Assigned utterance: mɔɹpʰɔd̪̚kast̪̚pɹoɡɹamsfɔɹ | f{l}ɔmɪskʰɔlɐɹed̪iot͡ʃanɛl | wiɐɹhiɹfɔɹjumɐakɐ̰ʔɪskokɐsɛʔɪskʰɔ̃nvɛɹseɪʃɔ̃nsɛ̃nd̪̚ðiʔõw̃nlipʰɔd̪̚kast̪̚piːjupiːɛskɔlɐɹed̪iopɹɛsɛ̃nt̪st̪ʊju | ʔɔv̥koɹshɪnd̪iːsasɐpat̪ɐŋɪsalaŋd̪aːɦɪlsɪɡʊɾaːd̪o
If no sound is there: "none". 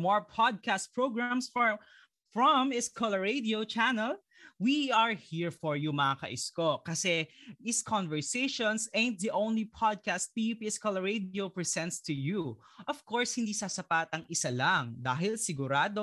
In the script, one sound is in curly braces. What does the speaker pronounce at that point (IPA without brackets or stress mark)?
ɹ